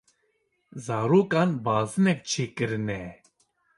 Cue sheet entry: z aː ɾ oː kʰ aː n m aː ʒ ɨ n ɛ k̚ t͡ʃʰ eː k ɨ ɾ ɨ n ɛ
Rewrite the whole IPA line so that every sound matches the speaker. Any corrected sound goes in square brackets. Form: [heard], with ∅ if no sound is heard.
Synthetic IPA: z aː ɾ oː [k] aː n [b] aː [z] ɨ n ɛ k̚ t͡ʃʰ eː k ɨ ɾ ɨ n ɛ

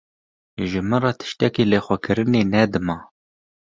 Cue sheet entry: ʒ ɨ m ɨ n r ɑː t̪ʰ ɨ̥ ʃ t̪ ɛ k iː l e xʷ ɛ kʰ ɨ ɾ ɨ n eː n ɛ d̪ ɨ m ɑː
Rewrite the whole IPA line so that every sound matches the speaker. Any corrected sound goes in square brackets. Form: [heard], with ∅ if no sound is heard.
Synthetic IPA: ʒ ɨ m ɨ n r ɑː t̪ʰ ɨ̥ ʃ t̪ ɛ k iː l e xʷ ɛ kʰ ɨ ɾ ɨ n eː n ɛ d̪ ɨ m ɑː

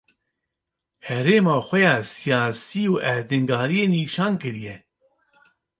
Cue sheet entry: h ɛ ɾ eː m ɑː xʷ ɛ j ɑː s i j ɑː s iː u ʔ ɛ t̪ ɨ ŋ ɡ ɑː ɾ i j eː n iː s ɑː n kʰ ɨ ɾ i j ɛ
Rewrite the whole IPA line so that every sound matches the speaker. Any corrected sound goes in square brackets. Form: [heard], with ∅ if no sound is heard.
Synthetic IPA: h ɛ ɾ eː m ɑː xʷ ɛ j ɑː s i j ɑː s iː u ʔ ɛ [d̪] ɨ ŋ ɡ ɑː ɾ i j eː n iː [ʃ] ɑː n [k] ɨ ɾ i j ɛ

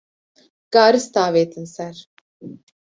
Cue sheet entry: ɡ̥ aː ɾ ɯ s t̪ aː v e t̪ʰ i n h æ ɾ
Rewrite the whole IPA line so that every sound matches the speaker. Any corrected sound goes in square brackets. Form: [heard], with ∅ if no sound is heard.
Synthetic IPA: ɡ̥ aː ɾ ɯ s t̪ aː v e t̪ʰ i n [s] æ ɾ

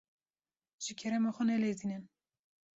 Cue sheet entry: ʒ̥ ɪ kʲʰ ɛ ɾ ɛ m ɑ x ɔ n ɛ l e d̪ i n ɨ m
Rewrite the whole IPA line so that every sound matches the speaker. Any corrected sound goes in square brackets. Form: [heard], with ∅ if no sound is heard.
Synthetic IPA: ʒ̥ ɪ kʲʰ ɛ ɾ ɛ m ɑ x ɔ n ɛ l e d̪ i n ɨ [n]

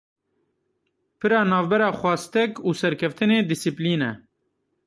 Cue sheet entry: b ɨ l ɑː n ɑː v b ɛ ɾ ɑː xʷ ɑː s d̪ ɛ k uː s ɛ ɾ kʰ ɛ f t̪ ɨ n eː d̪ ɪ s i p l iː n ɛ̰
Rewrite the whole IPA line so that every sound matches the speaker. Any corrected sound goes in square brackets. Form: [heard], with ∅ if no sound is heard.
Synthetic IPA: [p] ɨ [ɾ] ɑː n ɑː v b ɛ ɾ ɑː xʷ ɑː s [t̪] ɛ k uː s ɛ ɾ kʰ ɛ f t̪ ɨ n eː d̪ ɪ s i p l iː n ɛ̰

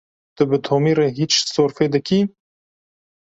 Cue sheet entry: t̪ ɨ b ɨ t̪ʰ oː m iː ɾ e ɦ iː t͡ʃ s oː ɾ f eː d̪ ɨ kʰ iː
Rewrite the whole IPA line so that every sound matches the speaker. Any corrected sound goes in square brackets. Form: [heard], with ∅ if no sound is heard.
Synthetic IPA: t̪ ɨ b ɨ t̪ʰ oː m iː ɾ e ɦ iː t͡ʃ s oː ɾ f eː d̪ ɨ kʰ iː

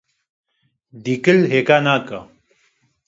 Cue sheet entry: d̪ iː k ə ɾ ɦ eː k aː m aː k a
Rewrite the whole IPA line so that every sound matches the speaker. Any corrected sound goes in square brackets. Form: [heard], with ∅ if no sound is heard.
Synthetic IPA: d̪ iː k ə [l] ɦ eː k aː [n] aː k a

